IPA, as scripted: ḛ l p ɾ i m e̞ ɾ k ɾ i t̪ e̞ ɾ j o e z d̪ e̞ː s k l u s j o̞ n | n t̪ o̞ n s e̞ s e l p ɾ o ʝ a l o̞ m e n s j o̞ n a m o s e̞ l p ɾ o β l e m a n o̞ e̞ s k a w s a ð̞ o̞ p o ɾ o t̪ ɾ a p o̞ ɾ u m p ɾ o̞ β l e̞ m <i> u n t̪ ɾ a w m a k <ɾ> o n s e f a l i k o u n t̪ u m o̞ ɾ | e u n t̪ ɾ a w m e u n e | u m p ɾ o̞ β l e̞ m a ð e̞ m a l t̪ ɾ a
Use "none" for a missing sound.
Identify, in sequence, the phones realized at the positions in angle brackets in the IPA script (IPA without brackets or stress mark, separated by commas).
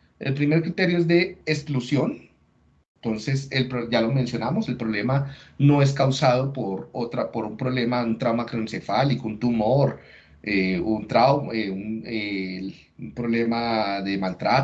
a, ɾ